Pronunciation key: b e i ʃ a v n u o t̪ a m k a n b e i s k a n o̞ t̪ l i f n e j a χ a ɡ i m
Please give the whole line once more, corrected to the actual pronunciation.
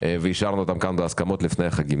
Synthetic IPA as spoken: v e i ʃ a ʁ n u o t̪ a m k a n b e a s k a m o̞ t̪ l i f n e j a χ a ɡ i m